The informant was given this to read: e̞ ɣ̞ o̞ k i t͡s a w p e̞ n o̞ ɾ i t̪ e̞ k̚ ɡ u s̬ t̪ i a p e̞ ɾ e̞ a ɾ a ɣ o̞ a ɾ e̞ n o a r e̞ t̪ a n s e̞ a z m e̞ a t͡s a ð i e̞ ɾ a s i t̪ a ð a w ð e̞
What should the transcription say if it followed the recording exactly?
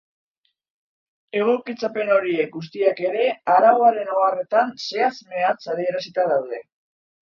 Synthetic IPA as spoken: e̞ ɣ̞ o̞ k i t͡s a p e̞ n o̞ ɾ i e̞ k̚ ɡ u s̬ t̪ i a k e̞ ɾ e̞ a ɾ a ɣ o̞ a ɾ e̞ n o a r e̞ t̪ a n s e̞ a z m e̞ a t͡s a ð i e̞ ɾ a s i t̪ a ð a w ð e̞